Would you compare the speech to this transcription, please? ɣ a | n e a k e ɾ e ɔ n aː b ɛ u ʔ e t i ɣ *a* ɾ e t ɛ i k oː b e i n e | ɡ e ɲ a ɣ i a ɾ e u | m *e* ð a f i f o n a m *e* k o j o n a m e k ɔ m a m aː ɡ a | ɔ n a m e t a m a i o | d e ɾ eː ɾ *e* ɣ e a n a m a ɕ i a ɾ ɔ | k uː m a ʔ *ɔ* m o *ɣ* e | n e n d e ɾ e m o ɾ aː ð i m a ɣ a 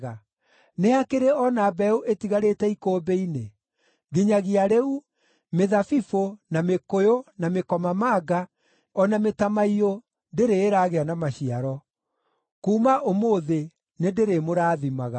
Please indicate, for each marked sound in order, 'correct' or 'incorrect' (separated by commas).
correct, correct, correct, incorrect, incorrect, incorrect